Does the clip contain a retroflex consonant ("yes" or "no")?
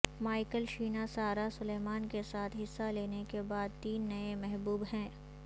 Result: no